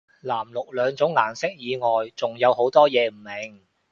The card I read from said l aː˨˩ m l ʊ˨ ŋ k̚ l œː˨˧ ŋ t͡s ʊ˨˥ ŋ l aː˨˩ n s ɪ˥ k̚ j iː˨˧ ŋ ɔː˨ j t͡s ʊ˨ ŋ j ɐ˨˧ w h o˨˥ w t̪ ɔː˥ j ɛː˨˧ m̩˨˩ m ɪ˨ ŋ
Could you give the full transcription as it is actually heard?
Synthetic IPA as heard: l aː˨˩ m l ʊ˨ k̚ l œː˨˧ ŋ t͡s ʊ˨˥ ŋ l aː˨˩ n s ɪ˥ k̚ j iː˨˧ ŋ ɔː˨ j t͡s ʊ˨ ŋ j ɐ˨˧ w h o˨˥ w t̪ ɔː˥ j ɛː˨˧ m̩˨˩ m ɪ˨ ŋ